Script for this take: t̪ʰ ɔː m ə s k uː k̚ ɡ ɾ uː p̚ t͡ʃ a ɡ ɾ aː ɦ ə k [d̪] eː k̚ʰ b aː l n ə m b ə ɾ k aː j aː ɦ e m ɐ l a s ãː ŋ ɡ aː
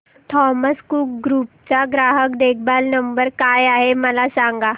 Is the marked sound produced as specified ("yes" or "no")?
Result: yes